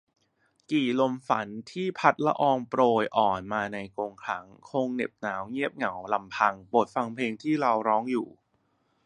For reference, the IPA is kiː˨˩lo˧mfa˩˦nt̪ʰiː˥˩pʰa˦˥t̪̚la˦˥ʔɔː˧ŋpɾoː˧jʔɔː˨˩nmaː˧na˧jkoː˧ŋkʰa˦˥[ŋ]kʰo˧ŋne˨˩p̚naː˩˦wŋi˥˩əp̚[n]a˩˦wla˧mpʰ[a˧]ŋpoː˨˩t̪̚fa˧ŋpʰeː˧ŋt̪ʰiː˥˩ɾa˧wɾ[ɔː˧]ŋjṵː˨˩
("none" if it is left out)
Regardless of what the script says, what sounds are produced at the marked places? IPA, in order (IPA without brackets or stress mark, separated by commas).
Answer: ŋ, ŋ, a˧, ɔː˦˥